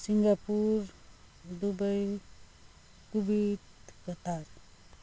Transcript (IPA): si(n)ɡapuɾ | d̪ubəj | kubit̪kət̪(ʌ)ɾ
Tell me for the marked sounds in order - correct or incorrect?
incorrect: ŋ, incorrect: a

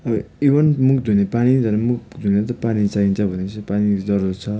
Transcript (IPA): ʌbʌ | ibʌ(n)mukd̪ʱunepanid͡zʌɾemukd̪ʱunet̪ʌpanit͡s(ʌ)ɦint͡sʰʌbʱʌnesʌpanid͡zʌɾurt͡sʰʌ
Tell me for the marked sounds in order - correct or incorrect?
correct, incorrect: a

